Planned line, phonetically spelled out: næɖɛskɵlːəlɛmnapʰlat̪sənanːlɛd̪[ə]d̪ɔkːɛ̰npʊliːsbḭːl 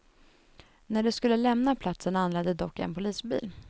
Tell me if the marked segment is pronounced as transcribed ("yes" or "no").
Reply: yes